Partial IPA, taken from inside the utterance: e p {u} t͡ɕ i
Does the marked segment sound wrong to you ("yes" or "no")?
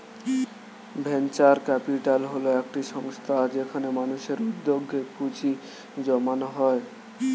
no